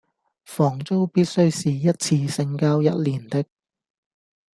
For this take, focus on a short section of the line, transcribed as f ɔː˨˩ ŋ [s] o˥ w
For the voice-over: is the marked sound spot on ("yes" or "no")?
no